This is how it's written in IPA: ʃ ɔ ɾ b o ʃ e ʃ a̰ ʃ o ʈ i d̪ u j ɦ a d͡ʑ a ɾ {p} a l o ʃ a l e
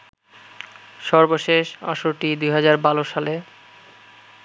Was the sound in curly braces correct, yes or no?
no